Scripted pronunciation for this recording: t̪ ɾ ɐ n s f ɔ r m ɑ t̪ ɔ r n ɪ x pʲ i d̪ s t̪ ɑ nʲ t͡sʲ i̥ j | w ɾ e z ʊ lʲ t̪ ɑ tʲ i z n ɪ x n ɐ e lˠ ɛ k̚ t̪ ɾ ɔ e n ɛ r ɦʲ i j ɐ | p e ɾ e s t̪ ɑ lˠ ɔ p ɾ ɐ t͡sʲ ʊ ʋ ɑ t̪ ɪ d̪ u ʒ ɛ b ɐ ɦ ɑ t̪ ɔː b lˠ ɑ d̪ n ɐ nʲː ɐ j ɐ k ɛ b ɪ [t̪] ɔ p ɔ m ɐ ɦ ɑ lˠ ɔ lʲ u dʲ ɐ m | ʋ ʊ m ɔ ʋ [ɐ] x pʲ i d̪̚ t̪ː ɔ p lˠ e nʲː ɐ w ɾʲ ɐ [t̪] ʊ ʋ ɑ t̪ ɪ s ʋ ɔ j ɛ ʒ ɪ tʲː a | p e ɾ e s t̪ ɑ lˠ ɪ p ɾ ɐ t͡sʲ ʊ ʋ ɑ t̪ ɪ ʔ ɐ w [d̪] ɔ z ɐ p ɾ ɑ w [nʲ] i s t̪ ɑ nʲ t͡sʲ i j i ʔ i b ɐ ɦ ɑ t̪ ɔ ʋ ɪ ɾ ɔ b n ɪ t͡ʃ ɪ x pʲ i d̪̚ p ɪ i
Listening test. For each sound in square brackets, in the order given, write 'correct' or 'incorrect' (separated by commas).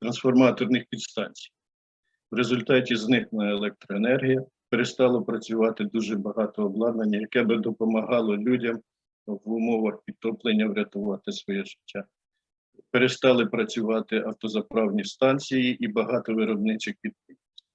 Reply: incorrect, correct, correct, incorrect, correct